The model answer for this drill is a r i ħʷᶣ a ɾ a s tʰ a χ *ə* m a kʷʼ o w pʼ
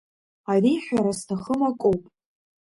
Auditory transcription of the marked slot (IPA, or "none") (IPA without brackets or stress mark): ə